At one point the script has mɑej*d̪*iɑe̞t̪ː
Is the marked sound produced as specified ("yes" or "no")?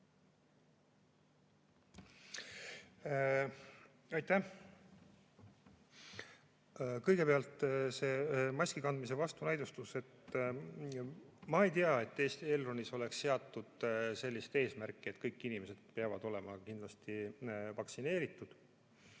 no